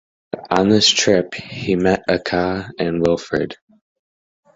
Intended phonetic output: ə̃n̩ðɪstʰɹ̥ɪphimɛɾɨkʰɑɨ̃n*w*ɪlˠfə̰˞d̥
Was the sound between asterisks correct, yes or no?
yes